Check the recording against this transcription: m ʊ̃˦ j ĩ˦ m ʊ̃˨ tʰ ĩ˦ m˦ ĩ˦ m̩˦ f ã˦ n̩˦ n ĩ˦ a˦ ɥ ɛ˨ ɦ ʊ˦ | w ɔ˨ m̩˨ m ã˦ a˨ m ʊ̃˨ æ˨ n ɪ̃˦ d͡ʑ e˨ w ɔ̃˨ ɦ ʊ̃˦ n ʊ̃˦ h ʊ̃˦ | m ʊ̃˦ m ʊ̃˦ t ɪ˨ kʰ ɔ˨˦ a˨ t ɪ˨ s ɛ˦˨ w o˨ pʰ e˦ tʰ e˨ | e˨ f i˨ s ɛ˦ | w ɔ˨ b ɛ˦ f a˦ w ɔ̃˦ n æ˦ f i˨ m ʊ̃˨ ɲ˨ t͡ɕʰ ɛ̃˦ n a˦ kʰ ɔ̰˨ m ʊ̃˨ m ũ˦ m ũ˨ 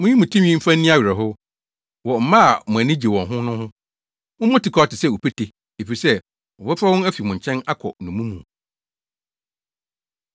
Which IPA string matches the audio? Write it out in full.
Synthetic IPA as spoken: m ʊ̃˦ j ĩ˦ m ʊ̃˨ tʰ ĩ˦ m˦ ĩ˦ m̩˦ f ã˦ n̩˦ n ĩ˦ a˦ ɥ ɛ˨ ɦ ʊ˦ | w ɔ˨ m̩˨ m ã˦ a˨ m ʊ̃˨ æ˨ n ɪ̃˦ d͡ʑ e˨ w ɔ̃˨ ɦ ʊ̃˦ n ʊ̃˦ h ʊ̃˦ | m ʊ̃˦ m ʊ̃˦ t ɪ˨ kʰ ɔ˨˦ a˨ t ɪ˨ s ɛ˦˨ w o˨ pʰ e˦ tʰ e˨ | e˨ f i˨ s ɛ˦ | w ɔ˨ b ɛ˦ f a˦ w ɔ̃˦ n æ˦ f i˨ m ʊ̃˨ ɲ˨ t͡ɕʰ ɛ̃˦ n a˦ kʰ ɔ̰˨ n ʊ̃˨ m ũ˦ m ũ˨

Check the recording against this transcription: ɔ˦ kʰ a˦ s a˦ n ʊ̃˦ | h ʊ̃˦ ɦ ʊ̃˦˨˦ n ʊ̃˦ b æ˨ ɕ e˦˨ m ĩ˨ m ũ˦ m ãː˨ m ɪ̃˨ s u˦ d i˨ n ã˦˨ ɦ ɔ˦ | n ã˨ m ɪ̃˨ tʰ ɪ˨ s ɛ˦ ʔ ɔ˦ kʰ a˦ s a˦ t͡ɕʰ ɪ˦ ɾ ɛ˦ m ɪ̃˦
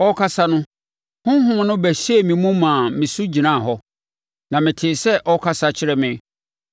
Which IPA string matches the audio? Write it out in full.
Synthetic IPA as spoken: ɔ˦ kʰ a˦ s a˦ n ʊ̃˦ | h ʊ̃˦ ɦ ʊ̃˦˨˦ n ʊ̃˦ b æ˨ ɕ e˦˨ m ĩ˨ m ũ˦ m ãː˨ m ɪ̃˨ s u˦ d͡ʑ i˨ n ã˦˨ ɦ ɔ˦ | n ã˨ m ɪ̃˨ tʰ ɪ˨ s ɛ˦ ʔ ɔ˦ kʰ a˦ s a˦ t͡ɕʰ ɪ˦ ɾ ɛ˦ m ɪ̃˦

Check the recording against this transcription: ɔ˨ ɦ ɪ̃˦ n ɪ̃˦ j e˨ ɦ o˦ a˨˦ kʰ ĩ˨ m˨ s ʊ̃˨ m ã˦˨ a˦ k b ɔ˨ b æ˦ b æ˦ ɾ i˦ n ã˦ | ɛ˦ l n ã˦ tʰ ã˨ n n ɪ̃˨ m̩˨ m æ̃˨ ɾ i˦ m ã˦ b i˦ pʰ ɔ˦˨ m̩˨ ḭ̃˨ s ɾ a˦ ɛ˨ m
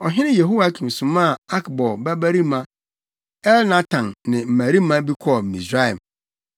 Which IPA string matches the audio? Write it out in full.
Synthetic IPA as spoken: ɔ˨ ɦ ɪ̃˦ n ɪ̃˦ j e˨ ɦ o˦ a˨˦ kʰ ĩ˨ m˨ s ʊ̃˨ m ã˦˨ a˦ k b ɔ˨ b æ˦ b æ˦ ɾ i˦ m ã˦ | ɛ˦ l n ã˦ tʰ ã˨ n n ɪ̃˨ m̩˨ m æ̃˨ ɾ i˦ m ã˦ b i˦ kʰ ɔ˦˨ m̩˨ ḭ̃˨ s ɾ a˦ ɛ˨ m

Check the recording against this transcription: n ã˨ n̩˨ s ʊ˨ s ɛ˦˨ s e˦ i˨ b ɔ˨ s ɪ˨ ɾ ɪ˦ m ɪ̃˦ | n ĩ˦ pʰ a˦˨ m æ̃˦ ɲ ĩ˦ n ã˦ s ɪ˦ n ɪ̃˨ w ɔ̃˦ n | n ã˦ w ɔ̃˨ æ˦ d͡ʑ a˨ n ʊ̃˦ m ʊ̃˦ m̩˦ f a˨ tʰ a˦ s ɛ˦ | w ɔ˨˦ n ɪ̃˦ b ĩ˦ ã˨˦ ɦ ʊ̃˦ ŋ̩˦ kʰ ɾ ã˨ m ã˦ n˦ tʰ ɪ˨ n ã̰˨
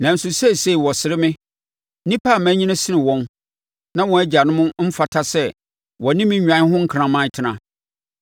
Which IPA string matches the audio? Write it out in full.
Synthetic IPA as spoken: n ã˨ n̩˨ s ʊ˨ s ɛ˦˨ s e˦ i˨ w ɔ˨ s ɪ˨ ɾ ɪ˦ m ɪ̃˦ | n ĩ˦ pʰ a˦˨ m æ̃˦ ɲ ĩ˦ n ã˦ s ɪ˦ n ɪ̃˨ w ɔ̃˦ n | n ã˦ w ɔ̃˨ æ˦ d͡ʑ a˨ n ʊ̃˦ m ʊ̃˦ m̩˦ f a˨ tʰ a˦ s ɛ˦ | w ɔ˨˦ n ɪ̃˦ m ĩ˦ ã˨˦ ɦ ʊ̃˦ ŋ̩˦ kʰ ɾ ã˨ m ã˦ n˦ tʰ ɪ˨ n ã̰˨

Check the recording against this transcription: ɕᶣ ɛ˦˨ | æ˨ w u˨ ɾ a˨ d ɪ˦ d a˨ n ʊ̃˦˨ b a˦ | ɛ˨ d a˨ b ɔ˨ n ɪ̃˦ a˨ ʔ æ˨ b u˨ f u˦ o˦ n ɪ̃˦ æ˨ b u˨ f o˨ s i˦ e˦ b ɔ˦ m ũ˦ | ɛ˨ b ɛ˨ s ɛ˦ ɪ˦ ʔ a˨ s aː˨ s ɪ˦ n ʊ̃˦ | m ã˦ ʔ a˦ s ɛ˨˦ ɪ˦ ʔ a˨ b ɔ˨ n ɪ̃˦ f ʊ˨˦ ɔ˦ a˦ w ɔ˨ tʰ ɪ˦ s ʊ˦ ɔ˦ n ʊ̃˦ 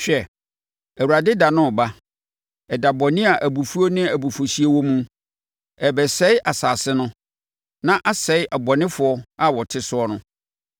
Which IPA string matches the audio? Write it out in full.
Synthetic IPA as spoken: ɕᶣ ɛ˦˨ | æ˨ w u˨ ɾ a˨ d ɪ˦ d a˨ n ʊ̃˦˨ b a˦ | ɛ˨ d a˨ b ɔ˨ n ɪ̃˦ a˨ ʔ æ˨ b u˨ f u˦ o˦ n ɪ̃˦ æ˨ b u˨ f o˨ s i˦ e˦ w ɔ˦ m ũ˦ | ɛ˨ b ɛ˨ s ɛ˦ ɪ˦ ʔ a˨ s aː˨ s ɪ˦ n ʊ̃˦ | n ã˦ ʔ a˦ s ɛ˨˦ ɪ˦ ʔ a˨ b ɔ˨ n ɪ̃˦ f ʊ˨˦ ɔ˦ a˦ w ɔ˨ tʰ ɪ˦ s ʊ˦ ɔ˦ n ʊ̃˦

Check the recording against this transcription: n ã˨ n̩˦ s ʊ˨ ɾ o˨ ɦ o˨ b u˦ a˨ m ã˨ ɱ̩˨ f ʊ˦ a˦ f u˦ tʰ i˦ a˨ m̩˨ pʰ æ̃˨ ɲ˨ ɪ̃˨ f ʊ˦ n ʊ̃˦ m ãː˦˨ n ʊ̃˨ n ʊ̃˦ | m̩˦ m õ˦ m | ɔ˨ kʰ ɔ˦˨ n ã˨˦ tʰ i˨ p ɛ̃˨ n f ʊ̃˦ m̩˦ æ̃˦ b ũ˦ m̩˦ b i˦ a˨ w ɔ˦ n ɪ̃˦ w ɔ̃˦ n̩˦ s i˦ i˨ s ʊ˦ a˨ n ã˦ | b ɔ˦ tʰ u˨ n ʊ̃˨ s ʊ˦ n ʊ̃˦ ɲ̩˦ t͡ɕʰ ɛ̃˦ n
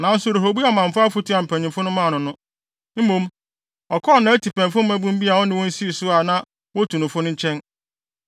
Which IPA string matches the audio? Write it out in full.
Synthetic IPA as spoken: n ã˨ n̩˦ s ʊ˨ ɾ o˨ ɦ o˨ b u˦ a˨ m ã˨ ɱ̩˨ f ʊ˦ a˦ f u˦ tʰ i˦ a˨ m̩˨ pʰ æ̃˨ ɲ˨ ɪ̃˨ f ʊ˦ n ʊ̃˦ m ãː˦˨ n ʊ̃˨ n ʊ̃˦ | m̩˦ m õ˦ m | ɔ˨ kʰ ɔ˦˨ n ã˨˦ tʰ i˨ p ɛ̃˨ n f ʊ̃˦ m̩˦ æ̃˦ b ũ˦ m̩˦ b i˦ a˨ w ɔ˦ n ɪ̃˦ w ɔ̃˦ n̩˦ s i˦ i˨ s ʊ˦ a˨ n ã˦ | w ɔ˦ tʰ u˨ n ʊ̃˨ f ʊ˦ n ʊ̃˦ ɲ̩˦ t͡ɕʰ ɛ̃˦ n

